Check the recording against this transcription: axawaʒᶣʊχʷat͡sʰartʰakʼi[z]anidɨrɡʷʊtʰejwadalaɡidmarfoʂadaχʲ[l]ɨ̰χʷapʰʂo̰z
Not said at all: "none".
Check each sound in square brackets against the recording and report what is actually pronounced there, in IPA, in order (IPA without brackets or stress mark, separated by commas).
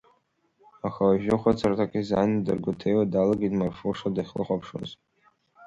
z, l